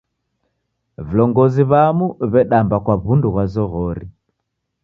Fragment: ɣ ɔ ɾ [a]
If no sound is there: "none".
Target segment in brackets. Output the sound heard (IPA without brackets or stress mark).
i